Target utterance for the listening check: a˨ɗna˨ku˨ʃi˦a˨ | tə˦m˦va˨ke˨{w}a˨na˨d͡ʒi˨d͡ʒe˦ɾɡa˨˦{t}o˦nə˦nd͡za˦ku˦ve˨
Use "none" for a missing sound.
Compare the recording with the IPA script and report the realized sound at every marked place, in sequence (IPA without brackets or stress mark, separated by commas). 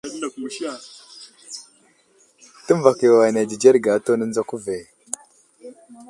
w, t